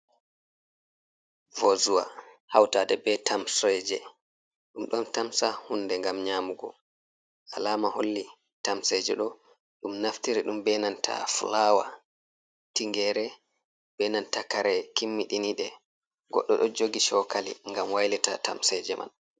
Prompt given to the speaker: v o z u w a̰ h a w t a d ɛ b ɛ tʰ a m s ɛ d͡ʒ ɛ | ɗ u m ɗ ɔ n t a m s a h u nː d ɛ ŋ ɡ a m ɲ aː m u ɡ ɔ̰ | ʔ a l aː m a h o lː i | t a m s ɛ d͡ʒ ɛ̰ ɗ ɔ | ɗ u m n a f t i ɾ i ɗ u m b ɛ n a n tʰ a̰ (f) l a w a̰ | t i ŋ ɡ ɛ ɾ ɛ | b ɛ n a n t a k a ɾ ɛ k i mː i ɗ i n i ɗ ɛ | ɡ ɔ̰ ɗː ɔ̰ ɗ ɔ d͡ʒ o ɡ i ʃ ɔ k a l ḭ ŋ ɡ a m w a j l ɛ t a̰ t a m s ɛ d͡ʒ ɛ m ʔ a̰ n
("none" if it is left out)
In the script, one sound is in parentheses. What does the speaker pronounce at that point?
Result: f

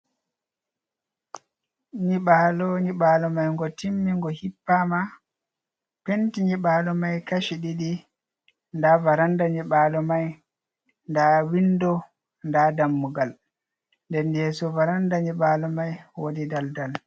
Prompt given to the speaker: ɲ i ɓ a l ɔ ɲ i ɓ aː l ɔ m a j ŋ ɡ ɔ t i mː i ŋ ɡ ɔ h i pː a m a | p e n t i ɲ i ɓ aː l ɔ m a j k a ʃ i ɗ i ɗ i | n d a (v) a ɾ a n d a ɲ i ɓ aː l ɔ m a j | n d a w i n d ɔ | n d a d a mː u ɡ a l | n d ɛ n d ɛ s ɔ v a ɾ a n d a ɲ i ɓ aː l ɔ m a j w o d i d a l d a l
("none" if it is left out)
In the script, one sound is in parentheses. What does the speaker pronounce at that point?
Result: v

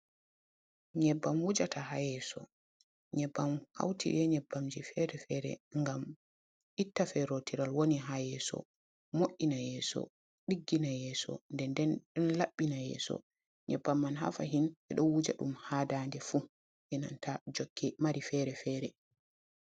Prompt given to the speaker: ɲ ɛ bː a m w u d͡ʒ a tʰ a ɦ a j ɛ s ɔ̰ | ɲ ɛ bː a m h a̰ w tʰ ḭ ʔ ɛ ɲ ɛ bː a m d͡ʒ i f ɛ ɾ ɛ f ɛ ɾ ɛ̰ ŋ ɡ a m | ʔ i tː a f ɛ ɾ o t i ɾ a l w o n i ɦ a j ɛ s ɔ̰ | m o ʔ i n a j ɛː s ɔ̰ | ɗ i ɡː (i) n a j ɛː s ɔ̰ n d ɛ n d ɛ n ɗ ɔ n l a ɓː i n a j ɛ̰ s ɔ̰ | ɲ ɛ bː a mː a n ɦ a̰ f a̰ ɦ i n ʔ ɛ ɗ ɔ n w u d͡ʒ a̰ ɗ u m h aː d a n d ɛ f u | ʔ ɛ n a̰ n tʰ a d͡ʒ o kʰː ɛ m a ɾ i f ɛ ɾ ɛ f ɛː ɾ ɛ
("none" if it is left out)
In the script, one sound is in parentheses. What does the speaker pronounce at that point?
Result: i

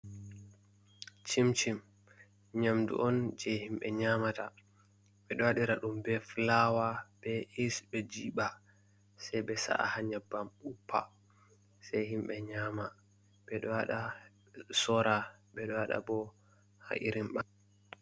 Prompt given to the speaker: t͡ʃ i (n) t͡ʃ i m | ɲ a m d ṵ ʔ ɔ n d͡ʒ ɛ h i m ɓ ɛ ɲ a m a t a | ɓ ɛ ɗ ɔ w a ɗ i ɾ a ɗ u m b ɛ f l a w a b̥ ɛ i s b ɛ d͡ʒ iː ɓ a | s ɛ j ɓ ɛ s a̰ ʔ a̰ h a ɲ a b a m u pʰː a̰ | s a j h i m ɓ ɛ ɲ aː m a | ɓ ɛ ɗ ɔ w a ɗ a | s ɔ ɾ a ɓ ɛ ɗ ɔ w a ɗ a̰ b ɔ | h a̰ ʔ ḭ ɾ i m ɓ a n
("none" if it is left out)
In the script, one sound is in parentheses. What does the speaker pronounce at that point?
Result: m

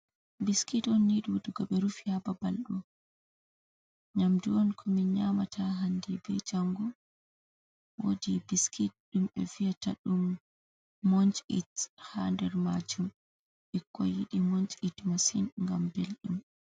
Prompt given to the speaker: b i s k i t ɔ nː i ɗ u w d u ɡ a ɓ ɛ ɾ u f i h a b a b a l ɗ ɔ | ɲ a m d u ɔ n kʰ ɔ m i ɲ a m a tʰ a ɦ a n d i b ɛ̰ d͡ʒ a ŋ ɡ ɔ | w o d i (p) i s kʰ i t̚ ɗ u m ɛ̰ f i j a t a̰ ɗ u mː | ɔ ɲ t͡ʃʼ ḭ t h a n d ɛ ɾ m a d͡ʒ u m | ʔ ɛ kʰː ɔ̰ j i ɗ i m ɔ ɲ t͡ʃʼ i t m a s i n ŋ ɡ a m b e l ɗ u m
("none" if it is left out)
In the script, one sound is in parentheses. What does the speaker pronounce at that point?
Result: b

